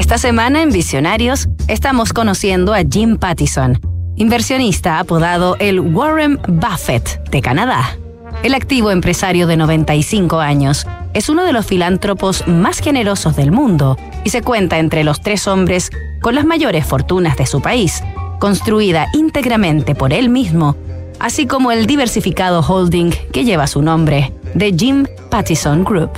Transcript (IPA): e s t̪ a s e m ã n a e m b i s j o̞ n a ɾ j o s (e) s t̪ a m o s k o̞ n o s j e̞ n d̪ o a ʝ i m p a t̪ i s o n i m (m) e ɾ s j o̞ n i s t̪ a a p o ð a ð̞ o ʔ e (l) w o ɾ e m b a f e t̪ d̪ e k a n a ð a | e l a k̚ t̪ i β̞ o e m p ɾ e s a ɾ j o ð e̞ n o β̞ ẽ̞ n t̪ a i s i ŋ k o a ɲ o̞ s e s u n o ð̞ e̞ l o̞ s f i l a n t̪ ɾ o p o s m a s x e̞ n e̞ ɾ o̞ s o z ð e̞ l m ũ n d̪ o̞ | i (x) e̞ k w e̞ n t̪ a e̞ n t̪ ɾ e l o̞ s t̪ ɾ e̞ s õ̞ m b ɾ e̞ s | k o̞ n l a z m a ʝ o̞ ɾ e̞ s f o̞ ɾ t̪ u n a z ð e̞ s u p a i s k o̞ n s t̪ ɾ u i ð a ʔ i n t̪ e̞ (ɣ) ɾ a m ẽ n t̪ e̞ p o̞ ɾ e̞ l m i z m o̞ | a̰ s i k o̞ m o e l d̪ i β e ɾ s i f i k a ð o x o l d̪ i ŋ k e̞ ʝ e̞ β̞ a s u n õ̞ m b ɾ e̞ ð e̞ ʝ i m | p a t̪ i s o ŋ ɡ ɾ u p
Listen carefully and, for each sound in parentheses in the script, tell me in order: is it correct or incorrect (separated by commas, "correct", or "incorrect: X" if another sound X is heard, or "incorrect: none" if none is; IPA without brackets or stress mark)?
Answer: correct, incorrect: b, correct, incorrect: s, correct